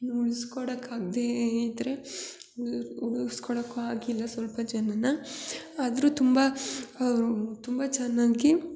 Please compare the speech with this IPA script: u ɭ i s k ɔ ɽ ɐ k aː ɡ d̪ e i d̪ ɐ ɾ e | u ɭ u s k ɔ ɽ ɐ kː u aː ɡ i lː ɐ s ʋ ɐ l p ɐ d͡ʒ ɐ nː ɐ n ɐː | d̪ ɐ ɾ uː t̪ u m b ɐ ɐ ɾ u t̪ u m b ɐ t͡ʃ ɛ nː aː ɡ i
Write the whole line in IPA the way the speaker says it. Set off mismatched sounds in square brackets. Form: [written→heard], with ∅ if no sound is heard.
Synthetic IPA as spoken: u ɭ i s k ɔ ɽ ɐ k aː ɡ d̪ e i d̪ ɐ ɾ e | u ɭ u s k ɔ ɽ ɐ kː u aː ɡ i lː ɐ s ʋ ɐ l p ɐ d͡ʒ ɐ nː ɐ n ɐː | d̪ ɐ ɾ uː t̪ u m b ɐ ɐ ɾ u t̪ u m b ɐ t͡ʃ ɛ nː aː ɡ i